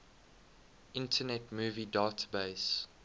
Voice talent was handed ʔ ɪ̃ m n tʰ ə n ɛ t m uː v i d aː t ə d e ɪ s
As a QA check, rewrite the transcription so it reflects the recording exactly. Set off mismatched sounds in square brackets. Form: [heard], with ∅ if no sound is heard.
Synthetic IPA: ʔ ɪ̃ [∅] n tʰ ə n ɛ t m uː v i d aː t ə [b] e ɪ s